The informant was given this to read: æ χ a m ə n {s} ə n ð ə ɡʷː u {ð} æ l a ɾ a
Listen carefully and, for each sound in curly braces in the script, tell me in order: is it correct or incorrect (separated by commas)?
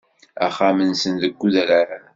correct, correct